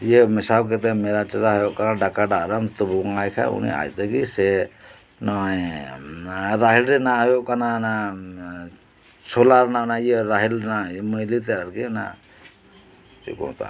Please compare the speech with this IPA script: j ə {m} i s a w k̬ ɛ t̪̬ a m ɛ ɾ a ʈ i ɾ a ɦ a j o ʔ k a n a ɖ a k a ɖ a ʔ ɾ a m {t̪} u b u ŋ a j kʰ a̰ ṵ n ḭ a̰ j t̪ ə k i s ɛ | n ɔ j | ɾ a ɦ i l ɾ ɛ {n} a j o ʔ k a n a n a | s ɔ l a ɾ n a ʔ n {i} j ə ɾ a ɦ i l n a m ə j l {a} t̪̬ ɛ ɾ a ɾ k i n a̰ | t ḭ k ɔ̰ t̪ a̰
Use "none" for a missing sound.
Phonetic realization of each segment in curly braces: m, t̪, n, a, i

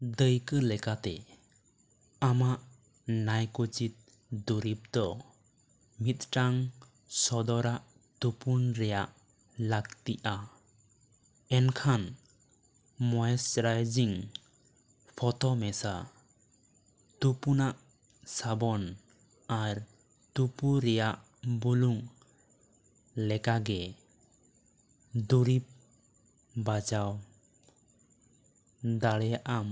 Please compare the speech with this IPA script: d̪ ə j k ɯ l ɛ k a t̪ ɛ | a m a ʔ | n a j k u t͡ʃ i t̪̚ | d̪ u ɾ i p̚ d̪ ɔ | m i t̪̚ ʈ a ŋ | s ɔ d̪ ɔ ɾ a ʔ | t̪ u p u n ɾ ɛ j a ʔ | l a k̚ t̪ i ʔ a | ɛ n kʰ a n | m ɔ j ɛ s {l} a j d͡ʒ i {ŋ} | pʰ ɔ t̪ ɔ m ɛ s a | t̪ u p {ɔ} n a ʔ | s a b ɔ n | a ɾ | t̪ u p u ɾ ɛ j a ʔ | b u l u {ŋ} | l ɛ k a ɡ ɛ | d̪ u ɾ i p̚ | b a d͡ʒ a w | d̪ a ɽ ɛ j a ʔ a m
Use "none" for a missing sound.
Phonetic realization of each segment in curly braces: ɾ, ŋ, u, ŋ

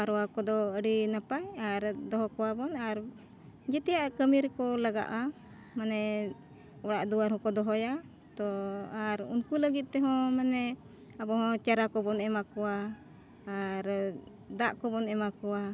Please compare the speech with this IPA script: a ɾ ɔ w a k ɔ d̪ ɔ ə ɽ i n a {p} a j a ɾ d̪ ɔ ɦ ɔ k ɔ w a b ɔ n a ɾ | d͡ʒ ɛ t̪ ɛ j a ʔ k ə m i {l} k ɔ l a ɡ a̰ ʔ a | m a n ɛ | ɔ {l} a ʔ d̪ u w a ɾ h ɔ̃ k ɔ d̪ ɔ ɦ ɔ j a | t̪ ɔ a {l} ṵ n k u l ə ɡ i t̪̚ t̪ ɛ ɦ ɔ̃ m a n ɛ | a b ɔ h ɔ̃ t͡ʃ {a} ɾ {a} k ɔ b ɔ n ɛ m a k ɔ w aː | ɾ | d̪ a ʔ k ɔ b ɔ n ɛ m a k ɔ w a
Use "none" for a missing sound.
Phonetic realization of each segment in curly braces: p, ɾ, ɽ, ɾ, a, a

